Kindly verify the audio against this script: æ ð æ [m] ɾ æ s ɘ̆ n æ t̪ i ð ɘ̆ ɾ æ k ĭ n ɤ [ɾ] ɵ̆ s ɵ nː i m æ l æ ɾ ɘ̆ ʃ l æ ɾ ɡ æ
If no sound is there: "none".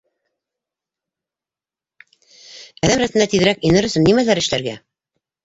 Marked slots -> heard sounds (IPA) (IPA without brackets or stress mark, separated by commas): m, ɾ